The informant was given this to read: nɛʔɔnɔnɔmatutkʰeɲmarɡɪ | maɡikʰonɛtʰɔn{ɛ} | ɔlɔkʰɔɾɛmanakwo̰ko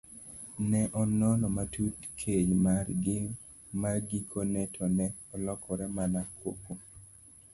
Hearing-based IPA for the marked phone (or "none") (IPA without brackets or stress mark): ɛ